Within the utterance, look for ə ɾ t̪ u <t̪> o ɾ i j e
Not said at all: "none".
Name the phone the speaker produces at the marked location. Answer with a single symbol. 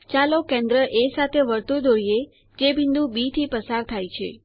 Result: d̪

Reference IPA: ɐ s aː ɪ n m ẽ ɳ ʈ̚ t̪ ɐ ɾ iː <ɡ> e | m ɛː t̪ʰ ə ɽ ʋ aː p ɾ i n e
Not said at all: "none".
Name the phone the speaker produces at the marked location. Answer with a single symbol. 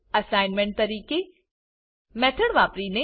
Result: k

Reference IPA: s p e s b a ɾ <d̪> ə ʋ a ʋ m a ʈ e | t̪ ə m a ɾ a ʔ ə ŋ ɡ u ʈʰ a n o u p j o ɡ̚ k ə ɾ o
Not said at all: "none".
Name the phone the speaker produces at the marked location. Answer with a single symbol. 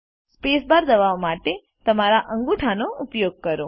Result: d̪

